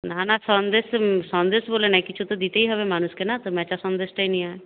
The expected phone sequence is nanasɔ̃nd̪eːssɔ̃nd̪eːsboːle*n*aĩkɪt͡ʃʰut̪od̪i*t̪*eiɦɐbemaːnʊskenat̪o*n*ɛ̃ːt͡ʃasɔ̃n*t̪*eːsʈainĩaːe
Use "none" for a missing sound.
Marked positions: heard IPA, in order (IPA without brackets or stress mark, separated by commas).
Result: n, t̪, m, d̪